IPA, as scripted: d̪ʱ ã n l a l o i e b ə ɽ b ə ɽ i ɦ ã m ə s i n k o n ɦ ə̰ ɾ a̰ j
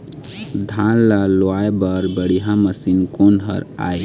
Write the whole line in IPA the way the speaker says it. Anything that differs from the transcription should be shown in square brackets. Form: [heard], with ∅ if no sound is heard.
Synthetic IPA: d̪ʱ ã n l a l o [a] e b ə [ɾ] b ə ɽ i ɦ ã m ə s i n k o n ɦ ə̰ ɾ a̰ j